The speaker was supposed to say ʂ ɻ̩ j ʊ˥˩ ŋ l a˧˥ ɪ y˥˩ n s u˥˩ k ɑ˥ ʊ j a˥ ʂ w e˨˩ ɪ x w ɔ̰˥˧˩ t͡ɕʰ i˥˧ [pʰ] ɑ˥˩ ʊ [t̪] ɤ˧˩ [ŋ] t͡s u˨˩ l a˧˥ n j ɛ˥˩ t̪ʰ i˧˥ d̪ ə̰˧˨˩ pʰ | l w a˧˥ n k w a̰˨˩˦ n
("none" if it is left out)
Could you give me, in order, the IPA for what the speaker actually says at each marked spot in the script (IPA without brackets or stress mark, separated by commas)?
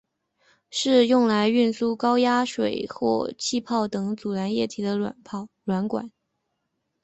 pʰ, t̪, ŋ